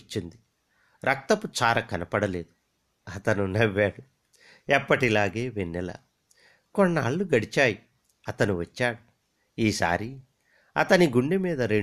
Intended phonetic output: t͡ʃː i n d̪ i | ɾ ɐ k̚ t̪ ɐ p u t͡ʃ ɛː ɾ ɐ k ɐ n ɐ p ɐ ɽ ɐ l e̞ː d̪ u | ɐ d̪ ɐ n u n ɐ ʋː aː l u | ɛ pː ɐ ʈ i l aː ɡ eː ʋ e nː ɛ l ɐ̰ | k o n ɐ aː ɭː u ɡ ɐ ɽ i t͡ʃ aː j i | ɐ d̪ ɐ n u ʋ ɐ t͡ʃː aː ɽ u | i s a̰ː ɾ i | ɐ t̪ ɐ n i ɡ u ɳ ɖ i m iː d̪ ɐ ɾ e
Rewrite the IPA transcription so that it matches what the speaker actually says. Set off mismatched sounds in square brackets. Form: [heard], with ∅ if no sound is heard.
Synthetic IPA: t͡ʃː i n d̪ i | ɾ ɐ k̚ t̪ ɐ p u t͡ʃ [aː] ɾ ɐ k ɐ n ɐ p ɐ ɽ ɐ l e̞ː d̪ u | ɐ [t̪] ɐ n u n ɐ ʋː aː [ɽ] u | ɛ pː ɐ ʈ i l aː ɡ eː ʋ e nː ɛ l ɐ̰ | k o [nː] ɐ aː ɭː u ɡ ɐ ɽ i t͡ʃ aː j i | ɐ [t̪] ɐ n u ʋ ɐ t͡ʃː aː ɽ u | [iː] s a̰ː ɾ i | ɐ t̪ ɐ n i ɡ u ɳ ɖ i m iː d̪ ɐ ɾ e